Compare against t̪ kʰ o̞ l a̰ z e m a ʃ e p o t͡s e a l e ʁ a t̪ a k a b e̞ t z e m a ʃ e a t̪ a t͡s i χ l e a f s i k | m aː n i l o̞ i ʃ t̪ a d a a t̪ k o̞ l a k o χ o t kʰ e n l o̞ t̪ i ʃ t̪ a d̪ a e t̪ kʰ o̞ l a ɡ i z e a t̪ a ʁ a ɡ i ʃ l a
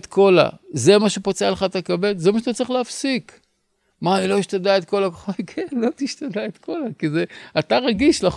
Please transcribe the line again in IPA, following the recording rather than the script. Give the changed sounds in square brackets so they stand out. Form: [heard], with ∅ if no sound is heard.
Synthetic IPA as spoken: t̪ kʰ o̞ l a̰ z e m a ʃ e p o t͡s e a l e [χ] a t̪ a k a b e̞ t z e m a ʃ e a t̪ a t͡s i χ l e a f s i k | m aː n i l o̞ i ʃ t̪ a d a [e] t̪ k o̞ l a k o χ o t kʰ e n l o̞ t̪ i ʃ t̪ a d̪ a e t̪ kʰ o̞ l a [k] i z e a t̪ a ʁ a ɡ i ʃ l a